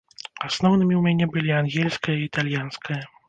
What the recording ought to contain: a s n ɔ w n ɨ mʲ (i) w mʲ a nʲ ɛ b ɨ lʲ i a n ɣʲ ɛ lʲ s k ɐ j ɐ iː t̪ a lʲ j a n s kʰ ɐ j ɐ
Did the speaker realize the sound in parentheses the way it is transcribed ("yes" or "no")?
yes